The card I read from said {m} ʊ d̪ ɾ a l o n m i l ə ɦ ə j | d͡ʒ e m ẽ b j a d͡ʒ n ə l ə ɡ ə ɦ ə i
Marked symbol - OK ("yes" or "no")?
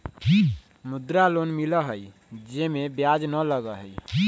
yes